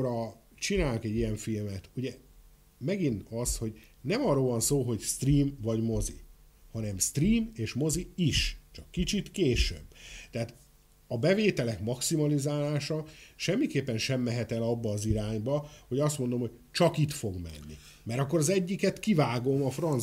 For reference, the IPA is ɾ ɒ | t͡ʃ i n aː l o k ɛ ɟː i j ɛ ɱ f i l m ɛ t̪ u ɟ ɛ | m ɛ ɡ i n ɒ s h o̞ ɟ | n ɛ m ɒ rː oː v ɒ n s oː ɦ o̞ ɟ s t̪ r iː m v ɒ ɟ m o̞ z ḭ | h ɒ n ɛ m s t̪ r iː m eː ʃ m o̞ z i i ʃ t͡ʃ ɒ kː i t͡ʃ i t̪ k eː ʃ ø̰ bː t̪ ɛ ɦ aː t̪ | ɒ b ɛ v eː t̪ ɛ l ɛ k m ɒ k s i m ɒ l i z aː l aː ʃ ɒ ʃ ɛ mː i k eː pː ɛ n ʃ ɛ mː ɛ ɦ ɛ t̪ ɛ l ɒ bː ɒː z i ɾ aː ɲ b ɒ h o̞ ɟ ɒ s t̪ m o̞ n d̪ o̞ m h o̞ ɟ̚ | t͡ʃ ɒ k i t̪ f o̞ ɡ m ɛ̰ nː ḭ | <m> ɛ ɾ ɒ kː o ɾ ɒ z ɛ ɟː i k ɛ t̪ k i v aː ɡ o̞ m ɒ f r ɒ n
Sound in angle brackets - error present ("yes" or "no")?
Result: no